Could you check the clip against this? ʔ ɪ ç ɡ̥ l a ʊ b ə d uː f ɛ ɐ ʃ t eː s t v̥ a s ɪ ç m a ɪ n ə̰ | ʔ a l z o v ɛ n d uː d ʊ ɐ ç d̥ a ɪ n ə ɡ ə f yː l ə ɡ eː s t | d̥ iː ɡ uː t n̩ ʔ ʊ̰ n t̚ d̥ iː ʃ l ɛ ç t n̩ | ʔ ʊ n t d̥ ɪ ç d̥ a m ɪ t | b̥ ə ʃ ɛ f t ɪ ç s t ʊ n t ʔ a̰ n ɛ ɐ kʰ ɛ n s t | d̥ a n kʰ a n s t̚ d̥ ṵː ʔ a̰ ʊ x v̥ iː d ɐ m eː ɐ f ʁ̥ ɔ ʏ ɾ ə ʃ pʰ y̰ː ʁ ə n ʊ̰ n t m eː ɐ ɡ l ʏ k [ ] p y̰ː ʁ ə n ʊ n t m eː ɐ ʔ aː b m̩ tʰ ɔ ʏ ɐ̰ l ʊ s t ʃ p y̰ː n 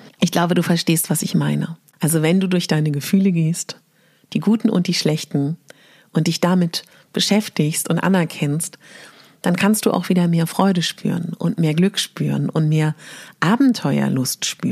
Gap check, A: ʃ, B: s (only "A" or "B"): A